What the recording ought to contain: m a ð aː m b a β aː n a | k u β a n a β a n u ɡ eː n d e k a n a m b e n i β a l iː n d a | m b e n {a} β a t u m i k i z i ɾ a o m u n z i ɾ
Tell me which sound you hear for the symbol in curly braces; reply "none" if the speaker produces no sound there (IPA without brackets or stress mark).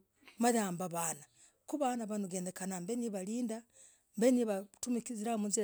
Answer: i